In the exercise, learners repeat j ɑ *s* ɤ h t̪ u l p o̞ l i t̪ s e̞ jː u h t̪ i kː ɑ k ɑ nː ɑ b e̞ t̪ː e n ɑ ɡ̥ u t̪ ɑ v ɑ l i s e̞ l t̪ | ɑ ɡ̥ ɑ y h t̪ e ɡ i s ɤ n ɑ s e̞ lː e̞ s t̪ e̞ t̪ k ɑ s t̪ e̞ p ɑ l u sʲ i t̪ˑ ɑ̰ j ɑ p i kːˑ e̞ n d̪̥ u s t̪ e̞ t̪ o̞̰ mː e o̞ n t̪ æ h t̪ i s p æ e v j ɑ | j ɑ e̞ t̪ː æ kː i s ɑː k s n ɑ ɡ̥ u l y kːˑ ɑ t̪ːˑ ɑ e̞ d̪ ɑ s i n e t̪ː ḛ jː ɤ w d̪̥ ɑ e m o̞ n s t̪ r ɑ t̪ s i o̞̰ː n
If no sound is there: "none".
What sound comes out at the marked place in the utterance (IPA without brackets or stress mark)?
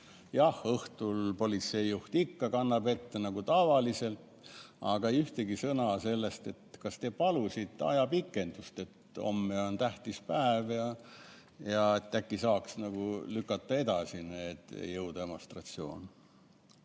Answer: h